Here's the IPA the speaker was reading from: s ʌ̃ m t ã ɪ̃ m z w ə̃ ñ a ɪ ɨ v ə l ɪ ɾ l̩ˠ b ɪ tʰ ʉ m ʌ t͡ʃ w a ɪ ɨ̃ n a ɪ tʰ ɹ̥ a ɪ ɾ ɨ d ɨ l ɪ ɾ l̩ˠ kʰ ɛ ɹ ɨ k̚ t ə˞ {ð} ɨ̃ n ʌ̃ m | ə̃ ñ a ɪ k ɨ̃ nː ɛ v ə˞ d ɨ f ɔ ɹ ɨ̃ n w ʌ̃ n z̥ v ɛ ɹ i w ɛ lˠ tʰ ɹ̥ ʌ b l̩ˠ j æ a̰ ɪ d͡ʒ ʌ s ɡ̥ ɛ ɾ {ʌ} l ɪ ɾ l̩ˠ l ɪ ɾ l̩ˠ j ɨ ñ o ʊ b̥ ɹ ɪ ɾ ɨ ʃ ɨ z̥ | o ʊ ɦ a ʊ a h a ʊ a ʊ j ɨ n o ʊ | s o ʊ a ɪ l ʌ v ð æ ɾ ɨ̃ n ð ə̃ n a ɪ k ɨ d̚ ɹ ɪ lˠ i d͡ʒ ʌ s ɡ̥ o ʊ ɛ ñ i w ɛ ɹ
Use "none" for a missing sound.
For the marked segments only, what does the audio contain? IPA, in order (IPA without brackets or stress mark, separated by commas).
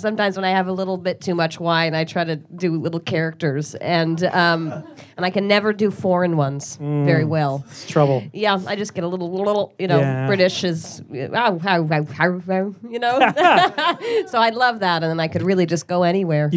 z, ə